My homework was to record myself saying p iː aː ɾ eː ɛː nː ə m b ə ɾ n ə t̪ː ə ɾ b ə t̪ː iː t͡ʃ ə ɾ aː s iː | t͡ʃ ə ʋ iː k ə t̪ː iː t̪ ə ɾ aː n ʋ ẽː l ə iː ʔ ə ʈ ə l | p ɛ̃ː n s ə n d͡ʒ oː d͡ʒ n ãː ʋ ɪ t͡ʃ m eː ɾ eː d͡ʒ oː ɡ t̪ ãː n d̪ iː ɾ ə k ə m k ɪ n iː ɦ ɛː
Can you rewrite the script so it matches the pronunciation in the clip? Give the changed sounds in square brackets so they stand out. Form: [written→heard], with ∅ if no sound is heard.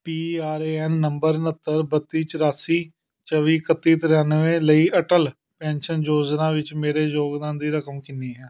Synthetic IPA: p iː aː ɾ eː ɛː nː ə m b ə ɾ n ə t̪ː ə ɾ b ə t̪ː iː t͡ʃ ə ɾ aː s iː | t͡ʃ ə ʋ iː k ə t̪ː iː t̪ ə ɾ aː n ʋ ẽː l ə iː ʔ ə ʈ ə l | p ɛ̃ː n [s→ʃ] ə n d͡ʒ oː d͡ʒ n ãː ʋ ɪ t͡ʃ m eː ɾ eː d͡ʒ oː ɡ [t̪→d̪] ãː n d̪ iː ɾ ə k ə m k ɪ n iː ɦ ɛː